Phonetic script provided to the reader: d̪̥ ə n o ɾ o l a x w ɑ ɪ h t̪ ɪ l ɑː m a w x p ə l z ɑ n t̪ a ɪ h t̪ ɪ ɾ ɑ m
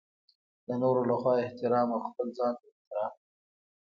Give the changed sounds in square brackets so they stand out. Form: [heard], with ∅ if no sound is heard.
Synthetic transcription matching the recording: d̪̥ ə n o ɾ o l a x w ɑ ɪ h t̪ ɪ [ɾ] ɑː m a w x p ə l z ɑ n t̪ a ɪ h t̪ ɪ ɾ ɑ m